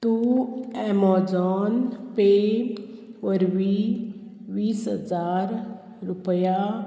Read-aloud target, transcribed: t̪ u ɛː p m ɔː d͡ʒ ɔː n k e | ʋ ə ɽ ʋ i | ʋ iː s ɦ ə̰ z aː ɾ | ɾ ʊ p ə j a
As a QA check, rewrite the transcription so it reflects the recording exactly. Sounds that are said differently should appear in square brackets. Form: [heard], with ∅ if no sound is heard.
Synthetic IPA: t̪ u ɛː [∅] m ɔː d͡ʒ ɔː n [p] e | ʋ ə [ɾ] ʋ i | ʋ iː s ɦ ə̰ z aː ɾ | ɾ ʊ p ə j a